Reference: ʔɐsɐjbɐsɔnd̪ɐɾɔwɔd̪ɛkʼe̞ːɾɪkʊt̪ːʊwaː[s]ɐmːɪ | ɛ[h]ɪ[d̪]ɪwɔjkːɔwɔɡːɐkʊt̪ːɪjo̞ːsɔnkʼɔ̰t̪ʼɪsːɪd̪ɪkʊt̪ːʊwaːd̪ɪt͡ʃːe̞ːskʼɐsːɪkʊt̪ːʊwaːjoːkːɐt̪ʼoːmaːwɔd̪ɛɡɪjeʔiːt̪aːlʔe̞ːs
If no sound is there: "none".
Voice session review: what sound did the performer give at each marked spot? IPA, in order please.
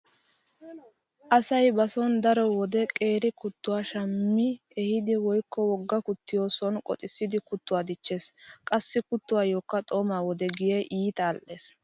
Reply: ʃ, h, d̪

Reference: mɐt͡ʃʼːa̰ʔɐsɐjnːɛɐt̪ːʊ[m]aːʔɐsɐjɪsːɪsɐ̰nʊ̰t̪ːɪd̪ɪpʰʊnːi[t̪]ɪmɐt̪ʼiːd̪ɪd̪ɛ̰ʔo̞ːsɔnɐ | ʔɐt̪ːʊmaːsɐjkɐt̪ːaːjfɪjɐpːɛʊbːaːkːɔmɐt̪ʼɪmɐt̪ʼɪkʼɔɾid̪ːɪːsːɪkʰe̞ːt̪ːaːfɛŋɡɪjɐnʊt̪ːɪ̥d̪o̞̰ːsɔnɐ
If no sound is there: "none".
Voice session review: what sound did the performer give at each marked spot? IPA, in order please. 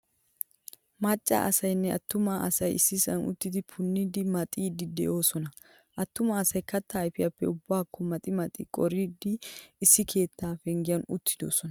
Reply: m, d̪

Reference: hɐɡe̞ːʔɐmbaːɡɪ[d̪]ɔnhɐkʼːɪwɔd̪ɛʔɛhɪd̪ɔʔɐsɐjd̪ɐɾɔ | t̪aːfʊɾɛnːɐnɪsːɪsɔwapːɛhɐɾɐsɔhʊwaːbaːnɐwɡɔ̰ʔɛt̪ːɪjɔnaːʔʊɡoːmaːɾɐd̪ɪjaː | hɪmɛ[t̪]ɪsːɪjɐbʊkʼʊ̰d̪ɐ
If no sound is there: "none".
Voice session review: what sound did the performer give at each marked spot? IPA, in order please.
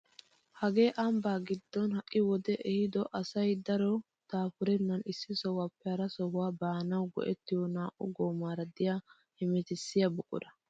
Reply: d̪ː, t̪

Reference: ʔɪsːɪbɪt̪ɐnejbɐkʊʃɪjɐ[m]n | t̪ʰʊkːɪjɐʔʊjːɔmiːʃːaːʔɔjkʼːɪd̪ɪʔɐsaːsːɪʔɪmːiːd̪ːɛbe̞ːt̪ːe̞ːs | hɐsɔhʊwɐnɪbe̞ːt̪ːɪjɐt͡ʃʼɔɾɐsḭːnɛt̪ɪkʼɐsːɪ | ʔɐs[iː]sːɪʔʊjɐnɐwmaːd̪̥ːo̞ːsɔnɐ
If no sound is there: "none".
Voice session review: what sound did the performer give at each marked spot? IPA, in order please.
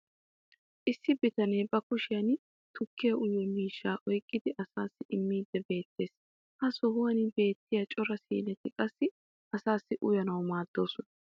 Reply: none, aː

